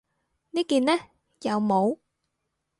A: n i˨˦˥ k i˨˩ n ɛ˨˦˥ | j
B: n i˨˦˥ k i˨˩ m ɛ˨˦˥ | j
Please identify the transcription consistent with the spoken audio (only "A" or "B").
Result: A